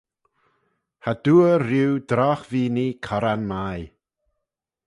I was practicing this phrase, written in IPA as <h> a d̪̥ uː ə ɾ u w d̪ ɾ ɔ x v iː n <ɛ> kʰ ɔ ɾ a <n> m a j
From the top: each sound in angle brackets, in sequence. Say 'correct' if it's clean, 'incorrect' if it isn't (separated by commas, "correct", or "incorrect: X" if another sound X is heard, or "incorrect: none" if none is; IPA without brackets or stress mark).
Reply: correct, incorrect: i, correct